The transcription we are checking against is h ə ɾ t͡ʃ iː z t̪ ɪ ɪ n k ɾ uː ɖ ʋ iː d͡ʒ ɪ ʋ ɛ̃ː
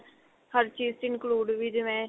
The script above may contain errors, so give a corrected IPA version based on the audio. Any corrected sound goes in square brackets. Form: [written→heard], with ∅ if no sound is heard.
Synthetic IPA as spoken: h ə ɾ t͡ʃ iː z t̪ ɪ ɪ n k [ɾ→l] uː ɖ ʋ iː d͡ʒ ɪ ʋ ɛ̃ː

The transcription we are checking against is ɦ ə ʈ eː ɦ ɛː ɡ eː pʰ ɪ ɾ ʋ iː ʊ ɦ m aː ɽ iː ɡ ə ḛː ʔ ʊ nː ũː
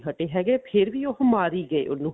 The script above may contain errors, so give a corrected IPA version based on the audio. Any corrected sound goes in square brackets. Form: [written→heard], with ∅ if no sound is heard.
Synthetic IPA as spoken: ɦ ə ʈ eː ɦ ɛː ɡ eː pʰ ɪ ɾ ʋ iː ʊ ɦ m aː [ɽ→ɾ] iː ɡ ə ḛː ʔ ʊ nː ũː

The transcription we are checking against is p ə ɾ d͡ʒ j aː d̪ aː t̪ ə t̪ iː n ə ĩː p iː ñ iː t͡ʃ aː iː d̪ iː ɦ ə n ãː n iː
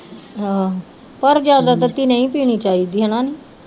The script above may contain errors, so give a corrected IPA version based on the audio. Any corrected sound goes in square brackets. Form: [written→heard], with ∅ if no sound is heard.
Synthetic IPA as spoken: p ə ɾ d͡ʒ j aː d̪ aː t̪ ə t̪ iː n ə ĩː p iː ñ iː t͡ʃ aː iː d̪ iː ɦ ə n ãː n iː

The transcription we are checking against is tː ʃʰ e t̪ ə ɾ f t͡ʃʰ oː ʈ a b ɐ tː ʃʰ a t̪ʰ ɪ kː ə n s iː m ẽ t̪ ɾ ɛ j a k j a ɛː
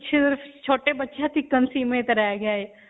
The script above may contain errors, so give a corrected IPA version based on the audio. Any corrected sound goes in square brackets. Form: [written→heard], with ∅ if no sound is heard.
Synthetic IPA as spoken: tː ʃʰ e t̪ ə ɾ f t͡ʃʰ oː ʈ [a→e] b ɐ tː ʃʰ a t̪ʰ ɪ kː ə n s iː m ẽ t̪ ɾ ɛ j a [k→ɡ] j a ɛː

